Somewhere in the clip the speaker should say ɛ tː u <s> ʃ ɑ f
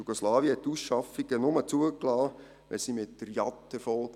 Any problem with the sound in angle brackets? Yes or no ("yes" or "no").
no